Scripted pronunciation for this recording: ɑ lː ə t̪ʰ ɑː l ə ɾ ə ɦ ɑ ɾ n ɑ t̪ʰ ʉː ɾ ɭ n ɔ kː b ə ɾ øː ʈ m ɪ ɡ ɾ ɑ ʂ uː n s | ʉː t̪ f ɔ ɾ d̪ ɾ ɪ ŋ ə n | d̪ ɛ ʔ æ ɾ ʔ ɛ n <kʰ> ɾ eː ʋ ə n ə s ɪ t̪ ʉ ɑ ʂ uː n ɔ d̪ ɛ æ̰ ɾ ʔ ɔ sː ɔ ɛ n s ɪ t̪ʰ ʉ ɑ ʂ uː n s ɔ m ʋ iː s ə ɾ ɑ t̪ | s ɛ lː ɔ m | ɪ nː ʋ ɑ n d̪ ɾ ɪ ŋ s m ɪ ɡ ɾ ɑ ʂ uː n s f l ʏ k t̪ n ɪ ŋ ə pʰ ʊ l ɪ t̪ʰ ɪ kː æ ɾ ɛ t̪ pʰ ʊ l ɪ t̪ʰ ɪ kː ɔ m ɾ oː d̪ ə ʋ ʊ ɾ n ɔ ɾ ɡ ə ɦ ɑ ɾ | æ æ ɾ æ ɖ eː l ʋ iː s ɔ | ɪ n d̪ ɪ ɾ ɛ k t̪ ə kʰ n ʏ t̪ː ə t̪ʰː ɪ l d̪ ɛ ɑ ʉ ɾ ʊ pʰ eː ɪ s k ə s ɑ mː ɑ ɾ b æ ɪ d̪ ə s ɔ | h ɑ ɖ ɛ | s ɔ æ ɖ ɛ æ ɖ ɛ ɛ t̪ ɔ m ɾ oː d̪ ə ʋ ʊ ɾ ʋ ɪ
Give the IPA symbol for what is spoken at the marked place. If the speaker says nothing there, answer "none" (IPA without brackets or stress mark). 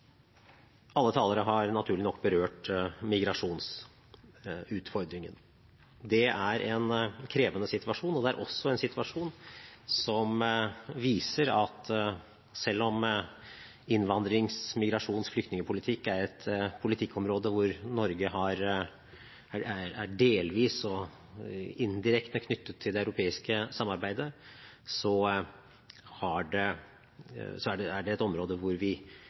kʰ